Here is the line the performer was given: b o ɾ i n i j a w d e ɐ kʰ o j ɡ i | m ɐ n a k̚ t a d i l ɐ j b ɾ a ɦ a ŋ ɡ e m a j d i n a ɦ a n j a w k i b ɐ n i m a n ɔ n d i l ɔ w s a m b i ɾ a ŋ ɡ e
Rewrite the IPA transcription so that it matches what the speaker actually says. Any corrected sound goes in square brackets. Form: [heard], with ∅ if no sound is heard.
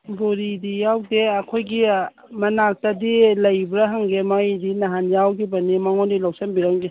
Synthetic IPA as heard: b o ɾ i [d] i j a w d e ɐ kʰ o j ɡ i | m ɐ n a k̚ t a d i l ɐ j b ɾ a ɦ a ŋ ɡ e m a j d i n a ɦ a n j a w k i b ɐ n i m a [ŋ] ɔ n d i l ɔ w s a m b i ɾ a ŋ ɡ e